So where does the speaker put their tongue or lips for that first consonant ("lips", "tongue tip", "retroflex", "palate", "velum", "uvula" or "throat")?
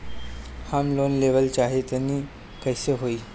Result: throat